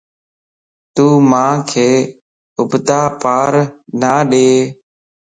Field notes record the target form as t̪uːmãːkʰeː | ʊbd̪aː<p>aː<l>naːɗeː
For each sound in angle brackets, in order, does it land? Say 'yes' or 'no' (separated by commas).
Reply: yes, no